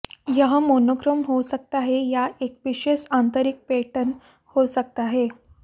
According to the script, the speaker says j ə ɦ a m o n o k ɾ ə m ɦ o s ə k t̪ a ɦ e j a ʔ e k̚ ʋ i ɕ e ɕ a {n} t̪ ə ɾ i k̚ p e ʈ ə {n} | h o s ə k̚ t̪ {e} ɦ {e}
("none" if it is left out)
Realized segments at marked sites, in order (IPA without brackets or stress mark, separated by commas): n, n, a, e